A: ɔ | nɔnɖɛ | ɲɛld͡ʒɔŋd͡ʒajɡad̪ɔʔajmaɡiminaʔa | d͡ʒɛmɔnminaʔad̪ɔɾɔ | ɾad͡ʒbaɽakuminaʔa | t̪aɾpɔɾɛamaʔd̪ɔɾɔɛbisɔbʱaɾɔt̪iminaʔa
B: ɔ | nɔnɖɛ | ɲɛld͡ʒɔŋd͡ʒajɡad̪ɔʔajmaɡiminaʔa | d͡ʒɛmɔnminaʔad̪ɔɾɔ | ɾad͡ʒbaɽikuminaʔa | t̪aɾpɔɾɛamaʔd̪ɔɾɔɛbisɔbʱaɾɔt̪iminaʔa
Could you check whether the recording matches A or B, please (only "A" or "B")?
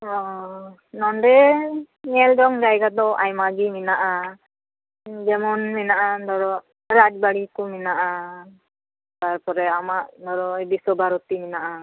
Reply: B